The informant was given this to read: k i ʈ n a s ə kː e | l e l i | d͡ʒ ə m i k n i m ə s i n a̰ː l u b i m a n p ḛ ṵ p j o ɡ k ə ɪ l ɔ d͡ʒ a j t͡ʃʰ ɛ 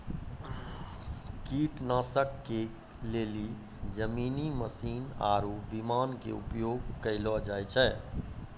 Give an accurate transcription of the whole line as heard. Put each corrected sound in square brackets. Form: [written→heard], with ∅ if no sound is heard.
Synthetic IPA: k i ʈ n a s ə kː e | l e l i | d͡ʒ ə m i [k→∅] n i m ə s i n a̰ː [l→ɾ] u b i m a n [p→k] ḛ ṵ p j o ɡ k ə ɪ l ɔ d͡ʒ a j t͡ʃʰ ɛ